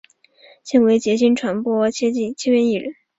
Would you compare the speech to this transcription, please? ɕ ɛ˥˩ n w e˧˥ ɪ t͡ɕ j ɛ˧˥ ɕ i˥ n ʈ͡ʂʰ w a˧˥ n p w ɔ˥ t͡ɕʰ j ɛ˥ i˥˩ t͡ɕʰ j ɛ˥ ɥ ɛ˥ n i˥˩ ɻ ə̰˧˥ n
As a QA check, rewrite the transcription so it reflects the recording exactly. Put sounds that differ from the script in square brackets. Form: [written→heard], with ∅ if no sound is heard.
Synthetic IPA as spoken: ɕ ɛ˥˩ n w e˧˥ ɪ t͡ɕ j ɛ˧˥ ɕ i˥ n ʈ͡ʂʰ w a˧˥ n p w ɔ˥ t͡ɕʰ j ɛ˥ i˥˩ t͡ɕʰ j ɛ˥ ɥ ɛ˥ n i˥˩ ɻ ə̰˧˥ n